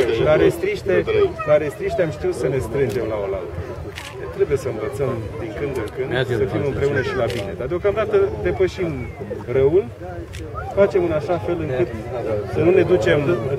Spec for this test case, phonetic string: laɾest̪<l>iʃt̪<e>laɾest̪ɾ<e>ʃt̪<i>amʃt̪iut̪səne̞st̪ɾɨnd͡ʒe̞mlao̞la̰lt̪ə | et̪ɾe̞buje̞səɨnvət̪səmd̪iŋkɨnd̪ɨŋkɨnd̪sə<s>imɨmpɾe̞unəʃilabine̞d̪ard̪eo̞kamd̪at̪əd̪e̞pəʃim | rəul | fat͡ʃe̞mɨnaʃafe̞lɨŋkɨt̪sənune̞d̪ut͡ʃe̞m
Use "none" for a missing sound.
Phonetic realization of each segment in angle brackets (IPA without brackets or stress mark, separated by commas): ɾ, e, i, e, f